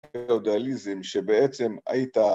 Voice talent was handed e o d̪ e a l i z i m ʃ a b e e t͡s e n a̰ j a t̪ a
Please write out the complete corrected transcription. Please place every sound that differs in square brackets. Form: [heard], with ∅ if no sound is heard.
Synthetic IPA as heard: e o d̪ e a l i z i m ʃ [e] b e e t͡s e [m] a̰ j [i] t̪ a